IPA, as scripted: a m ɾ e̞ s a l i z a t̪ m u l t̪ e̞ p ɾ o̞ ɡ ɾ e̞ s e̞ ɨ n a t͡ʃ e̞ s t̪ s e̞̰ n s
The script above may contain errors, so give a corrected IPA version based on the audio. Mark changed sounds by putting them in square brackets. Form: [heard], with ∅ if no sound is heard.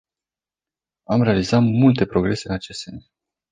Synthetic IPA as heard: a m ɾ e̞ [∅] a l i z a t̪ m u l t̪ e̞ p ɾ o̞ ɡ ɾ e̞ s e̞ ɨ n a t͡ʃ e̞ s t̪ s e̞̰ n s

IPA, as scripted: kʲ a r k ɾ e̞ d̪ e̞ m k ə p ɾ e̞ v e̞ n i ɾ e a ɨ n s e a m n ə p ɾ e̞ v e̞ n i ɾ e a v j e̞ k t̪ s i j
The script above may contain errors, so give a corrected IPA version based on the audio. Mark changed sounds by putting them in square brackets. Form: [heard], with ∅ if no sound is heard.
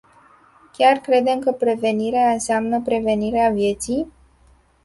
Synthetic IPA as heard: kʲ a r k ɾ e̞ d̪ e̞ m k ə p ɾ e̞ v e̞ n i ɾ e a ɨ n s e a m n ə p ɾ e̞ v e̞ n i ɾ e a v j e̞ [∅] t̪ s i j

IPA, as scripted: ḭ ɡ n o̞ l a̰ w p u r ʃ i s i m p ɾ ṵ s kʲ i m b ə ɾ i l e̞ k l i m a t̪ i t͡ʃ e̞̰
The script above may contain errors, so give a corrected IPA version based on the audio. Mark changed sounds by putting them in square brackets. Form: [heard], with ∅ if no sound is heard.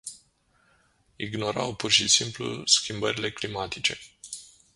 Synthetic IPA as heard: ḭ ɡ n o̞ [ɾ] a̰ w p u r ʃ i s i m p [l] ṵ s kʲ i m b ə ɾ i l e̞ k l i m a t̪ i t͡ʃ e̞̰

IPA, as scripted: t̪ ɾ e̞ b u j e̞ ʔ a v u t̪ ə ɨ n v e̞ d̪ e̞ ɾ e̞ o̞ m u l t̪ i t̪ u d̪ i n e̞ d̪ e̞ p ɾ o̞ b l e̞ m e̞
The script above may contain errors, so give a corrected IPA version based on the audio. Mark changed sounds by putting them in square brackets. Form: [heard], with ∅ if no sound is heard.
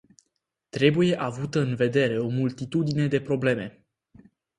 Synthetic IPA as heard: t̪ ɾ e̞ b u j e̞ ʔ a v u t̪ ə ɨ n v e̞ d̪ e̞ ɾ e̞ o̞ m u l t̪ i t̪ u d̪ i n e̞ d̪ e̞ p ɾ o̞ b l e̞ m e̞

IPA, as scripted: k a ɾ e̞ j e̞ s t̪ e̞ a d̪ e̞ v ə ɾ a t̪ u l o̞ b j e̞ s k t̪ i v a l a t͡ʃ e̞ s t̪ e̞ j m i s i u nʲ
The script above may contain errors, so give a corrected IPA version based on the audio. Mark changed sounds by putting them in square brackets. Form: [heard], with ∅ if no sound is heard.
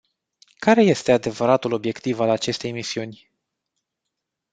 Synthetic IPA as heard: k a ɾ e̞ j e̞ s t̪ e̞ a d̪ e̞ v ə ɾ a t̪ u l o̞ b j e̞ [∅] k t̪ i v a l a t͡ʃ e̞ s t̪ e̞ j m i s i u nʲ

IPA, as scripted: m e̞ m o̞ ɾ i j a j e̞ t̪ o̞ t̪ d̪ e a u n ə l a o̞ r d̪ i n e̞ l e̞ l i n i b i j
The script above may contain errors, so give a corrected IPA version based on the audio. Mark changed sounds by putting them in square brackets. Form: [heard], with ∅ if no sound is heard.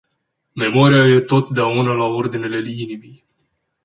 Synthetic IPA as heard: m e̞ m o̞ ɾ i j a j e̞ t̪ o̞ t̪ d̪ e a u n ə l a o̞ r d̪ i n e̞ l e̞ l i n i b i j

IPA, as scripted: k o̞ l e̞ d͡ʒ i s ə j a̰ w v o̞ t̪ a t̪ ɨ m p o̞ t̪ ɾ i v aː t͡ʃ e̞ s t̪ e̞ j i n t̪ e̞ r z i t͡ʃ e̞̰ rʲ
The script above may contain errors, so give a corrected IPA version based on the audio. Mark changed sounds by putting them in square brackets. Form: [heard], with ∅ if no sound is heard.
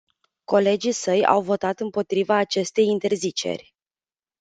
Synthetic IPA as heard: k o̞ l e̞ d͡ʒ i s ə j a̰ w v o̞ t̪ a t̪ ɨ m p o̞ t̪ ɾ i v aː t͡ʃ e̞ s t̪ e̞ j i n t̪ e̞ r z i t͡ʃ e̞̰ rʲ

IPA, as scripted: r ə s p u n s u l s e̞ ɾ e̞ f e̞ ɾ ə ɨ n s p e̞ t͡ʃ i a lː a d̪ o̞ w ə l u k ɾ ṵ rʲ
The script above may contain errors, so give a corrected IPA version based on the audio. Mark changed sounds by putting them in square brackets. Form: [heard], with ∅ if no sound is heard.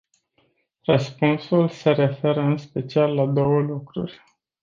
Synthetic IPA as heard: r ə s p u n s u l s e̞ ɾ e̞ f e̞ ɾ ə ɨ n s p e̞ t͡ʃ i a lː a d̪ o̞ w ə l u k ɾ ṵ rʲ

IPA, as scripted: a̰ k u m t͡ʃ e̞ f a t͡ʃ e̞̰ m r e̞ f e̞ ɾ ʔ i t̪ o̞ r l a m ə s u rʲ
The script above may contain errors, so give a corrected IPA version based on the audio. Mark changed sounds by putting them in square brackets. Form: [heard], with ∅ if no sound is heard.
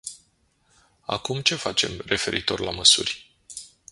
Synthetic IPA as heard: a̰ k u m t͡ʃ e̞ f a t͡ʃ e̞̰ m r e̞ f e̞ ɾ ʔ i t̪ o̞ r l a m ə s u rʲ

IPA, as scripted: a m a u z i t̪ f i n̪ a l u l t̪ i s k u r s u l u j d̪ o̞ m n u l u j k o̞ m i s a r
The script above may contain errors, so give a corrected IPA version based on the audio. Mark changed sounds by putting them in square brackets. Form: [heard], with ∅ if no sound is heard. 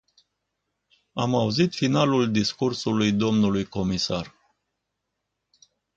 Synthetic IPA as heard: a m a u z i t̪ f i n̪ a l u l [d̪] i s k u r s u l u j d̪ o̞ m n u l u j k o̞ m i s a r

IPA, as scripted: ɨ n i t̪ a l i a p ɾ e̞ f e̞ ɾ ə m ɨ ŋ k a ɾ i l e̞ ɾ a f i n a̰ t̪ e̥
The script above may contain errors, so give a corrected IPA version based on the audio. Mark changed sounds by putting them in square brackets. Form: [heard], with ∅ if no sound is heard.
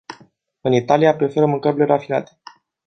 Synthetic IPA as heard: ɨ n i t̪ a l i a p ɾ e̞ f e̞ ɾ ə m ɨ ŋ k [ə] ɾ i l e̞ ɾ a f i n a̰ t̪ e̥

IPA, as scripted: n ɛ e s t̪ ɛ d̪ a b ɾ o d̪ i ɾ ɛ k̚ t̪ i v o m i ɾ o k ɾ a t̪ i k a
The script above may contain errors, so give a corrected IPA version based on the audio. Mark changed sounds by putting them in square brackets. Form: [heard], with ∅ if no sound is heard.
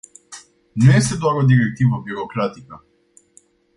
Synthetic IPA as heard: n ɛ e s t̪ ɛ d̪ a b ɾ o d̪ i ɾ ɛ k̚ t̪ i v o [b] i ɾ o k ɾ a t̪ i k a

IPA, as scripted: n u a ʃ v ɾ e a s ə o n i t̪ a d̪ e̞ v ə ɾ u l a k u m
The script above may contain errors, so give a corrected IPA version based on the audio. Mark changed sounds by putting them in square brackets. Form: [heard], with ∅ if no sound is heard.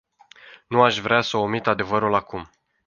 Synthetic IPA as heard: n u a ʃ v ɾ e a s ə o [m] i t̪ a d̪ e̞ v ə ɾ u l a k u m

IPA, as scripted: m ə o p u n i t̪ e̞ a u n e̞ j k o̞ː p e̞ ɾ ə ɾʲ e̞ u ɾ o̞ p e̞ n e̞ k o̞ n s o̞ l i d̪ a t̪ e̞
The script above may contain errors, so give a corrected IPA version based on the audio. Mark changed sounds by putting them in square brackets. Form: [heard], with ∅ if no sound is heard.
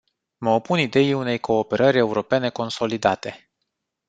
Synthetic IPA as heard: m ə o p u n i [d̪] e̞ [i] u n e̞ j k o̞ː p e̞ ɾ ə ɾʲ e̞ u ɾ o̞ p e̞ n e̞ k o̞ n s o̞ l i d̪ a t̪ e̞

